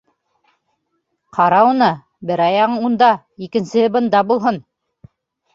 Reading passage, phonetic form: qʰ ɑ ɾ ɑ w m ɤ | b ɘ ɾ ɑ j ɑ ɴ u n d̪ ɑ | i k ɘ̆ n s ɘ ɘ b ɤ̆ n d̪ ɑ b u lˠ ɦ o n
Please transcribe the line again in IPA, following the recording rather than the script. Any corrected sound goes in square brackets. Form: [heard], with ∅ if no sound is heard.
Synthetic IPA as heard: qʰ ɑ ɾ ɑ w [n] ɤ | b ɘ ɾ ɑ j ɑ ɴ u n d̪ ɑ | i k ɘ̆ n s ɘ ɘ b ɤ̆ n d̪ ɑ b u lˠ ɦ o n